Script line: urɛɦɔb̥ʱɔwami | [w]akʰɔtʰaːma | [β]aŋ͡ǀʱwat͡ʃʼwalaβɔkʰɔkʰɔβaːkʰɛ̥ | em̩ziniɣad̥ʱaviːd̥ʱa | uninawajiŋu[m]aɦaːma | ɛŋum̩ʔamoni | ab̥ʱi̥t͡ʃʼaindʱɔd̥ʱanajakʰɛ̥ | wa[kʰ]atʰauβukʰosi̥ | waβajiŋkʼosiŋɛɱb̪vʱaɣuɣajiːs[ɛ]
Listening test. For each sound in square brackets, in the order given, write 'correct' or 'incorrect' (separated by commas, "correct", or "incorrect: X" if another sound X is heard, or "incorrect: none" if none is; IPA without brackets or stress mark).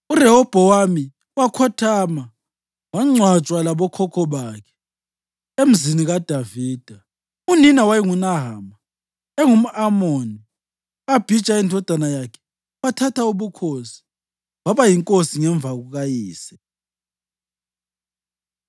correct, incorrect: w, incorrect: n, incorrect: tʰ, correct